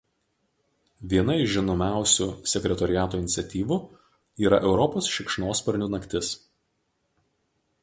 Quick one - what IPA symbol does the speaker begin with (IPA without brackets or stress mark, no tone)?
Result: ʋʲ